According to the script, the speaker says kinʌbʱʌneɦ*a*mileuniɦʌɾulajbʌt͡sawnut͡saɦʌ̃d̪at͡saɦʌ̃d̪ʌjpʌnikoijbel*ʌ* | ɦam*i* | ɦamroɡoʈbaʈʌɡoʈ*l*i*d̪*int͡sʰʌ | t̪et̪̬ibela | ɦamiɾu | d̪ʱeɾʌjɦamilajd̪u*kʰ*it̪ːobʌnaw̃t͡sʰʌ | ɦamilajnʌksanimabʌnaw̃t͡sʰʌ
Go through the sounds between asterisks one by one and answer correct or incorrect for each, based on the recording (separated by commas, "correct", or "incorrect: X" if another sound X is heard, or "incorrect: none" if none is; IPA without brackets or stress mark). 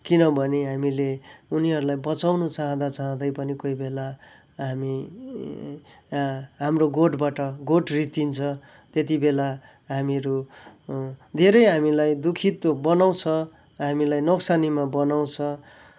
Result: correct, incorrect: a, correct, incorrect: r, incorrect: t̪, correct